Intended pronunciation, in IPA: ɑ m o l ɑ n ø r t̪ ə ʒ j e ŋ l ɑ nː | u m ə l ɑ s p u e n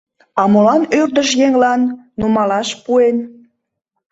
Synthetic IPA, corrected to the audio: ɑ m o l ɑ n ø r d̪ ə ʃ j e ŋ l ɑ nː | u m ɑ l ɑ ʃ p u e n